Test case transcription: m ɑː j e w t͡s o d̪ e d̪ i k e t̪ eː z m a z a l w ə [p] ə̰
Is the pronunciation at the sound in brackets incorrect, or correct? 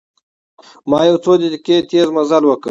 incorrect